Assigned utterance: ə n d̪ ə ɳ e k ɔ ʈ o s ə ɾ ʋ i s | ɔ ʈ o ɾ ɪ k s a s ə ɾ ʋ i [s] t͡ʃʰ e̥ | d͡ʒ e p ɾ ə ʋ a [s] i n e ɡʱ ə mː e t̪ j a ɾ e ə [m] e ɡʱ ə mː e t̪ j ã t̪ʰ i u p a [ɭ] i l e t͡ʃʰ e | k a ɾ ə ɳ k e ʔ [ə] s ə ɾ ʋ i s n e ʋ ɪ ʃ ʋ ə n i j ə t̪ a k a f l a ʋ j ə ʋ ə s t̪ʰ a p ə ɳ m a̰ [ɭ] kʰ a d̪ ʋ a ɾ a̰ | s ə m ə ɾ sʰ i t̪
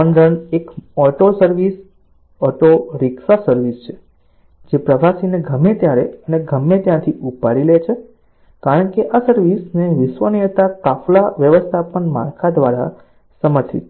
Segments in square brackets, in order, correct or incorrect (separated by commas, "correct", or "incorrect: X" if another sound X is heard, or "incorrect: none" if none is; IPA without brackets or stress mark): correct, correct, incorrect: n, incorrect: ɾ, incorrect: a, incorrect: ɾ